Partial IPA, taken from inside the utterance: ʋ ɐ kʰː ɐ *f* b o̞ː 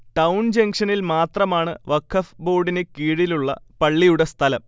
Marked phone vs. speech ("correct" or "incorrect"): correct